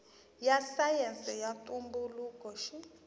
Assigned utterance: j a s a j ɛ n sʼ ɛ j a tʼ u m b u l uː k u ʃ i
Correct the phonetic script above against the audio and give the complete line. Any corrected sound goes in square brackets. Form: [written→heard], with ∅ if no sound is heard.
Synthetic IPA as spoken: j a s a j ɛ n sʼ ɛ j a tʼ u m b u l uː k [u→ɔ] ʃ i